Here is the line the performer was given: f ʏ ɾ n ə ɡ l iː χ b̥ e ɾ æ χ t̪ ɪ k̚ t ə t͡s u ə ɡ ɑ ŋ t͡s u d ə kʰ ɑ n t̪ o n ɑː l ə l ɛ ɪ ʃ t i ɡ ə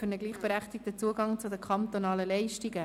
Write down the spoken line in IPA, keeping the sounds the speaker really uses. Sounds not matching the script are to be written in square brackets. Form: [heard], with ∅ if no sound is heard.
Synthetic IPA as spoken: f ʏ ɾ n ə ɡ l iː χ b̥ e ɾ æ χ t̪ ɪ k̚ t ə t͡s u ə ɡ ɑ ŋ t͡s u d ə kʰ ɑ n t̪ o n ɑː l ə l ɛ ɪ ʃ t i ɡ ə

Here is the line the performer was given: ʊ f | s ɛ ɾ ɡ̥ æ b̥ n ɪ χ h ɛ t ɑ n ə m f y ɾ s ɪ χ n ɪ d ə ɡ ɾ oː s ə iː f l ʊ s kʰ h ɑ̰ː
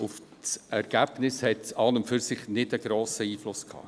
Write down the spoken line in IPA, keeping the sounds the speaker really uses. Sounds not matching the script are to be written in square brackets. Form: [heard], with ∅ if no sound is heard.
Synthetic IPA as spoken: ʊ f | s ɛ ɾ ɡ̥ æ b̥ n ɪ [s] h ɛ t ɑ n ə m f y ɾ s ɪ χ n ɪ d ə ɡ ɾ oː s ə iː f l ʊ s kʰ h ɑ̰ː

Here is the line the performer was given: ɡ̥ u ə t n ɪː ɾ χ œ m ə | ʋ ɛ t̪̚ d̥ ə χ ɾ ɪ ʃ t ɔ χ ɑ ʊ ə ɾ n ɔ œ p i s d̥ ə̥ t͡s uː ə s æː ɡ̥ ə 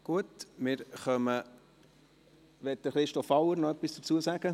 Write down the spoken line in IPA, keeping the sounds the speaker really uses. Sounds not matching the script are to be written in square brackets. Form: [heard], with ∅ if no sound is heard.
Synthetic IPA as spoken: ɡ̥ u ə t [m] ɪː ɾ χ œ m ə | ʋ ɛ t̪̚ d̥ ə χ ɾ ɪ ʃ t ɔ [f] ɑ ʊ ə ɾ n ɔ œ p i s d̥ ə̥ t͡s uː ə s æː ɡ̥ ə

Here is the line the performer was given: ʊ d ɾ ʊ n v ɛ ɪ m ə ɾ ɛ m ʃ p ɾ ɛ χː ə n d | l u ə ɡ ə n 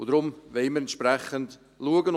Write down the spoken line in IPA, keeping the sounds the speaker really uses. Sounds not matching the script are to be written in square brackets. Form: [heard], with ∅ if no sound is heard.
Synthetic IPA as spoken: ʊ d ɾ ʊ [m] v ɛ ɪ m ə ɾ ɛ [n] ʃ p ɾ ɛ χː ə n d | l u ə ɡ ə n

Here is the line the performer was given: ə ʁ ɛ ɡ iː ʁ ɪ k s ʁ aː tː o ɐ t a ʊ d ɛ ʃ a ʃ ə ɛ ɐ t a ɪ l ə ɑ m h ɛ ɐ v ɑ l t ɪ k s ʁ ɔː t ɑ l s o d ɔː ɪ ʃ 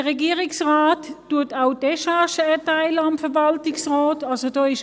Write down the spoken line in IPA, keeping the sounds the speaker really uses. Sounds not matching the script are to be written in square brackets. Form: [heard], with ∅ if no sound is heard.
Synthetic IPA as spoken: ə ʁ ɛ ɡ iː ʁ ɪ k s ʁ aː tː [u] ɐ t a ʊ d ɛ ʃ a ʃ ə ɛ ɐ t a ɪ l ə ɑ m [f] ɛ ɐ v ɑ l t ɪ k s ʁ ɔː t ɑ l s o d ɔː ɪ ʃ

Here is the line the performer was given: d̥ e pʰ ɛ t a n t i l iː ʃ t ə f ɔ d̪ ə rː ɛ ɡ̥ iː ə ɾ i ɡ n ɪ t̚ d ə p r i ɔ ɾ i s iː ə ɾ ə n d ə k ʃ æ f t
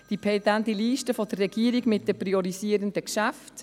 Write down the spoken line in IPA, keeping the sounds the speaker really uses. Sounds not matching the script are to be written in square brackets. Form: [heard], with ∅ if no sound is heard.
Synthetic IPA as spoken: d̥ [i] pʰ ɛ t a n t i l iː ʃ t ə f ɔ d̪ ə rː ɛ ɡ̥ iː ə ɾ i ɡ [m] ɪ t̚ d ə p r i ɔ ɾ i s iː ə ɾ ə n d ə k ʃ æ f t

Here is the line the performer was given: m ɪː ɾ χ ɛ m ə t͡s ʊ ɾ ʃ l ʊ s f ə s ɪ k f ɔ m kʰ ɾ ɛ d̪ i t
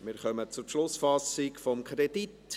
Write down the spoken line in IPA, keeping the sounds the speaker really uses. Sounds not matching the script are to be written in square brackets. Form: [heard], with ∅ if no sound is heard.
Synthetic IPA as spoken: m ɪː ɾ χ [œ] m ə t͡s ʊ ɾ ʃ l ʊ s f [ɑ] s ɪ k f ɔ m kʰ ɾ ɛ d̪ i t

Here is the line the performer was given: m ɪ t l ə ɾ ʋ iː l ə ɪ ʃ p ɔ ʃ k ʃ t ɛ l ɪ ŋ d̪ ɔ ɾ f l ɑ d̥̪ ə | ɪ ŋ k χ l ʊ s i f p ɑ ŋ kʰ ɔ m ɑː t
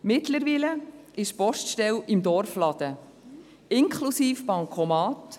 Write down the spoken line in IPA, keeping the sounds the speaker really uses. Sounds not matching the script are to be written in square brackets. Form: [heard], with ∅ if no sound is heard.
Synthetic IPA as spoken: m ɪ t l ə ɾ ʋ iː l ə ɪ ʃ p ɔ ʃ [t] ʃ t ɛ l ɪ [m] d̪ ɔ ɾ f l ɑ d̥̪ ə | ɪ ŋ k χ l [u] s [iː] f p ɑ ŋ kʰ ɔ m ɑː t

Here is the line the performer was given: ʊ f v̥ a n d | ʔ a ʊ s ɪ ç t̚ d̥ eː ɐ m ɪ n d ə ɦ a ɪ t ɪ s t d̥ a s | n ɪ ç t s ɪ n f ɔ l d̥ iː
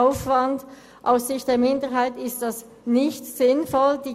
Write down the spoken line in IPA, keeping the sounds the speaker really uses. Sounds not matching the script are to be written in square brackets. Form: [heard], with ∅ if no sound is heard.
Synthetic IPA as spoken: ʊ f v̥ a n d | ʔ a ʊ s ɪ ç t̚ d̥ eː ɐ m ɪ n d ə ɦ a ɪ t ɪ s t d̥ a s | n ɪ ç t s ɪ n f ɔ l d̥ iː

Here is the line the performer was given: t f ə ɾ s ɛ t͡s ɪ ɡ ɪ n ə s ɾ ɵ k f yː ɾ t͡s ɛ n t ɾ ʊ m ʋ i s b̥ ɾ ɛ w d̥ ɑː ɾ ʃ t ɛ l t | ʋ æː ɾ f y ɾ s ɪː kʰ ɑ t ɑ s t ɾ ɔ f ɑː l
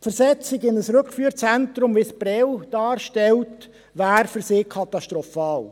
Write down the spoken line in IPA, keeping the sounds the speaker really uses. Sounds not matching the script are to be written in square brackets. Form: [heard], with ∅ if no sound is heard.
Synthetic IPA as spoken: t f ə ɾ s ɛ t͡s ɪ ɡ ɪ n ə s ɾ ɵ k f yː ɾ t͡s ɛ n t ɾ ʊ m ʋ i s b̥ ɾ ɛ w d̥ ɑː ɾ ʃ t ɛ l t | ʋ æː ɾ f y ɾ s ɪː kʰ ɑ t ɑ [ʃ] t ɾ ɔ f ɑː l

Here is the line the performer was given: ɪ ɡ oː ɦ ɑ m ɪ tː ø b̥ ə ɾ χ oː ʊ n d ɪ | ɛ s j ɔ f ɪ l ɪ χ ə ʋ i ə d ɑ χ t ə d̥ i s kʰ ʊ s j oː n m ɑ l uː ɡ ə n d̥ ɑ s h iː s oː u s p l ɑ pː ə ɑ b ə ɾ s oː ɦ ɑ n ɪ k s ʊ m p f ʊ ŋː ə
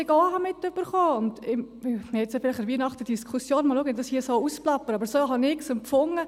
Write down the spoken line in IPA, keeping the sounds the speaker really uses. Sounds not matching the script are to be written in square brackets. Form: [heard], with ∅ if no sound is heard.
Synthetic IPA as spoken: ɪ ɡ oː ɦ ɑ m ɪ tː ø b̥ ə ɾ χ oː ʊ n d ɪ | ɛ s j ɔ f ɪ l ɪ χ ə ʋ i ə [n] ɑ χ t ə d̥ i s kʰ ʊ s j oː n m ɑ l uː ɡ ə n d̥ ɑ s h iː s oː u s p l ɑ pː ə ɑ b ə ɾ s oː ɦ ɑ n ɪ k s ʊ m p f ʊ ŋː ə

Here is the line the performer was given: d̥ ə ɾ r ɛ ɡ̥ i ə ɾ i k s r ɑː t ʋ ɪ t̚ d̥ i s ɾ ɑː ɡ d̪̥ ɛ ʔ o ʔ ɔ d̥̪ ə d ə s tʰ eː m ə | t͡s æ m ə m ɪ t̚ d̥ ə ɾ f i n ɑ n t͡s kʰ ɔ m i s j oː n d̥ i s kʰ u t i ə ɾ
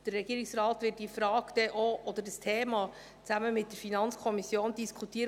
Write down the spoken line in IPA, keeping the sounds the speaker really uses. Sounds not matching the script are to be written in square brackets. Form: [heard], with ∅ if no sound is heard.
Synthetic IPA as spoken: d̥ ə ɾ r ɛ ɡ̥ i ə ɾ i k s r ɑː t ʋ ɪ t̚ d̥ i [f] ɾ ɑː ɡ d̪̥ ɛ ʔ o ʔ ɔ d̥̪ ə d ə s tʰ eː m [ɑ] | t͡s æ m ə m ɪ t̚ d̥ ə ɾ f i n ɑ n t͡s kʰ ɔ m i s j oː n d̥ i s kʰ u t i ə ɾ

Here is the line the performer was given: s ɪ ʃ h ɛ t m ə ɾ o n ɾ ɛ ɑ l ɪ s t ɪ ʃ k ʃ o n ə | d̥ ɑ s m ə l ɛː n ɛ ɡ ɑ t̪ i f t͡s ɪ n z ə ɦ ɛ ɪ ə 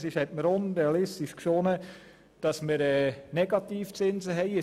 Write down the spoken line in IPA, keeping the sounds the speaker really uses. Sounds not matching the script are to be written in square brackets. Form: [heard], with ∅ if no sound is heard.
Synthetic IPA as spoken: s ɪ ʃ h ɛ t m ə ɾ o n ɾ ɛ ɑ l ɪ s t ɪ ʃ k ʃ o n ə | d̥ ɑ s m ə [ɾ] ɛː n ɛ ɡ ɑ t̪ [iː] f t͡s ɪ n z ə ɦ ɛ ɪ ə

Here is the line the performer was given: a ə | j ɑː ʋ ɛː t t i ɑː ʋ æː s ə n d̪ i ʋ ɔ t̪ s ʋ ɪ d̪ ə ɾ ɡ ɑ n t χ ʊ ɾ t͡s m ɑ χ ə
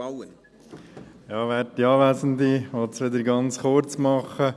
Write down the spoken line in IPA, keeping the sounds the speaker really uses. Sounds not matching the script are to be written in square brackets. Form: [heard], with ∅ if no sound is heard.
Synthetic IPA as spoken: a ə | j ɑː ʋ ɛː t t i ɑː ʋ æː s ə n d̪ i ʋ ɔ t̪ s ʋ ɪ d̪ ə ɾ ɡ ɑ n [t͡s] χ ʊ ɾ t͡s m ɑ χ ə

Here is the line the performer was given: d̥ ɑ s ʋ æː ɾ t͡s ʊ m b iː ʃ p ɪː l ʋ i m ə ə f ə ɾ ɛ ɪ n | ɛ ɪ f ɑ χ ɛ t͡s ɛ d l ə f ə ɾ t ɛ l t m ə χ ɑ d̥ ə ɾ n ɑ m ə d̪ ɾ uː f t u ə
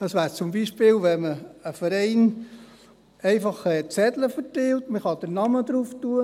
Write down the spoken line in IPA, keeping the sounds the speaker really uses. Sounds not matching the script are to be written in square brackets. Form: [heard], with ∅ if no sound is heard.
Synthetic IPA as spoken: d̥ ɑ s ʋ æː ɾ t͡s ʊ m b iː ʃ p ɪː l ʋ [ɛ] m ə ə f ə ɾ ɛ ɪ n | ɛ ɪ f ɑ χ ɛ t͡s ɛ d l ə f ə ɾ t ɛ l t m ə χ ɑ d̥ ə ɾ n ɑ m ə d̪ ɾ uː f t u ə

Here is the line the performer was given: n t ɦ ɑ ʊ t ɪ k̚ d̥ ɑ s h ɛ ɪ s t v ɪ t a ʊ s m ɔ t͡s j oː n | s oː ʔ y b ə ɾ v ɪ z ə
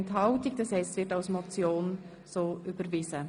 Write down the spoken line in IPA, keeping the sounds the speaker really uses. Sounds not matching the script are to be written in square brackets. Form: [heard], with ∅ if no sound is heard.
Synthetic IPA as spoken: n t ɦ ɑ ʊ t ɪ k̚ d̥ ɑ s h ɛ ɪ s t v ɪ t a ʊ s m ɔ t͡s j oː n | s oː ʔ y b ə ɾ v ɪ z ə

